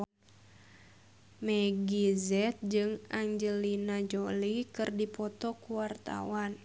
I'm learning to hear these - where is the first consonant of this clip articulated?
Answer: lips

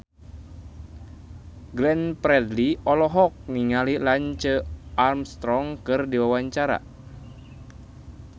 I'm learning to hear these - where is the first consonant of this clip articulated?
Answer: velum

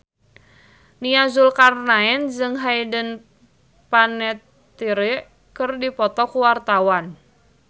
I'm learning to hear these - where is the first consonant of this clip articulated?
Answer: tongue tip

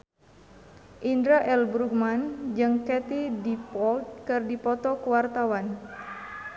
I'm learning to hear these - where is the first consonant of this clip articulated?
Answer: throat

